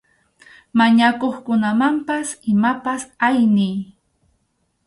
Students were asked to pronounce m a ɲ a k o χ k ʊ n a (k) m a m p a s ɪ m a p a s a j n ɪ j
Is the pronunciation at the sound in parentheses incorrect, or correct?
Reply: incorrect: none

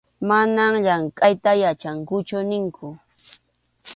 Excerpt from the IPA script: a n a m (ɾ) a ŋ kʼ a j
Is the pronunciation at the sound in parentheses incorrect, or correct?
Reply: incorrect: ʎ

